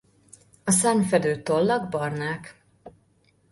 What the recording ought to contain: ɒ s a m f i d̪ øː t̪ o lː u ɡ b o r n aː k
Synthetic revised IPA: ɒ s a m f ɛ d̪ øː t̪ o lː ɒ ɡ b ɒ r n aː k